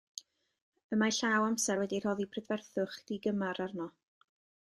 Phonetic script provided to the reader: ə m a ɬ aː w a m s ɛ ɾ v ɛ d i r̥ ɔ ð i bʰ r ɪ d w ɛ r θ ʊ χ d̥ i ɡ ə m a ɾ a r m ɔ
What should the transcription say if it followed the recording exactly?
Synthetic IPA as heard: ə m a ɬ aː w a m s ɛ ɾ w ɛ d i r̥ ɔ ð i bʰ r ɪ d v ɛ r θ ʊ χ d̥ i ɡ ə m a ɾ a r n ɔ